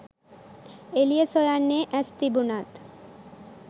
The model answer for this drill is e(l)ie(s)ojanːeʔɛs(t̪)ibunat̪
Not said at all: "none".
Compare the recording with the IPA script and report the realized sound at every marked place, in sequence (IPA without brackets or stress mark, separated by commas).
l, s, t̪